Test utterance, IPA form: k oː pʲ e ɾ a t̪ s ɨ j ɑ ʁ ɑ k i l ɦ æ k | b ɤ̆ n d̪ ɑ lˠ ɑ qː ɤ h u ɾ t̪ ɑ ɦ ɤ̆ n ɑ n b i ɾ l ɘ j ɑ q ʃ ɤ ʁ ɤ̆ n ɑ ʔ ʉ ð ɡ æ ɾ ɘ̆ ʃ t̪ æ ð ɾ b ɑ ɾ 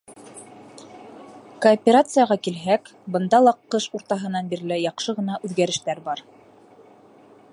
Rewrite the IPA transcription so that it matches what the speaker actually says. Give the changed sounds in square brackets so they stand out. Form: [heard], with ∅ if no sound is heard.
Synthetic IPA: k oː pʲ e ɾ a t̪ s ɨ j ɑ ʁ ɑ k i l ɦ æ k | b ɤ̆ n d̪ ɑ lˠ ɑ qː ɤ [ʃ] u ɾ t̪ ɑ ɦ ɤ̆ n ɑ n b i ɾ l ɘ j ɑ q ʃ ɤ ʁ ɤ̆ n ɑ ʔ ʉ ð ɡ æ ɾ ɘ̆ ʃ t̪ æ [∅] ɾ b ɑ ɾ